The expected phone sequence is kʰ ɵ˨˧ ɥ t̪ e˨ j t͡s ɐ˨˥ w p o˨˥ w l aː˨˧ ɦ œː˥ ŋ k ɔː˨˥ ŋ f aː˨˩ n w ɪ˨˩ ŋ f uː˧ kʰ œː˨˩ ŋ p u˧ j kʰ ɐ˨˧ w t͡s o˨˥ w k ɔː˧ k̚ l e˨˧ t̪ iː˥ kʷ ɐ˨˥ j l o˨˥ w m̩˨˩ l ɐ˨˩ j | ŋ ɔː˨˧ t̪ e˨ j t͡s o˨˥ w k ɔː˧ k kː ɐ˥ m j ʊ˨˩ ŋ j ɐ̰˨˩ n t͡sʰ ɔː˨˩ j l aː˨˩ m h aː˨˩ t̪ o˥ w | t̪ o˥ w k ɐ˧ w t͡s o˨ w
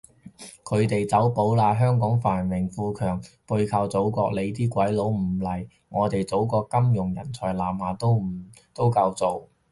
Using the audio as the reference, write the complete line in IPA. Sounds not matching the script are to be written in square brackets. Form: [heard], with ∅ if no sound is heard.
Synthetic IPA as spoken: kʰ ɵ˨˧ ɥ t̪ e˨ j t͡s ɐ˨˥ w p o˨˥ w l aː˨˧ ɦ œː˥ ŋ k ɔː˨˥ ŋ f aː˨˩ n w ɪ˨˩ ŋ f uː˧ kʰ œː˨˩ ŋ p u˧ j kʰ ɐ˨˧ w t͡s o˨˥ w k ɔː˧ k̚ l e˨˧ t̪ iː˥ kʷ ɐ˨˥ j l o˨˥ w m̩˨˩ l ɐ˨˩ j | ŋ ɔː˨˧ t̪ e˨ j t͡s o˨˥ w k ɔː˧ k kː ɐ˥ m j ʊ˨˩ ŋ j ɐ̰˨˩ n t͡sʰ ɔː˨˩ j l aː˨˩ m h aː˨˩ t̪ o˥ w | t̪ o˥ w k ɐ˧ w t͡s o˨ w